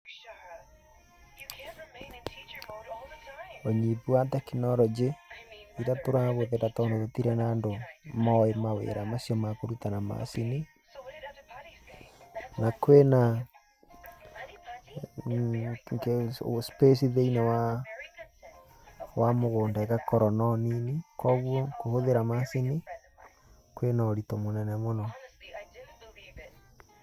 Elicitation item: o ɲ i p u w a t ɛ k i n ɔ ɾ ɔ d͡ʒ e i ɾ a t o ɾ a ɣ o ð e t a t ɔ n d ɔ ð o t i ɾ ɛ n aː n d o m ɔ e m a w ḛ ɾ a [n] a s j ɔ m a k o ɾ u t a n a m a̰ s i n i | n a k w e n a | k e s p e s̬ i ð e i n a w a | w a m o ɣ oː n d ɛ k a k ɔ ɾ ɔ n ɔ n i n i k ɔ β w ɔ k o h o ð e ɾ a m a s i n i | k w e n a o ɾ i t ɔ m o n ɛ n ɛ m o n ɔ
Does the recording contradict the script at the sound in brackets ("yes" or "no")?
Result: yes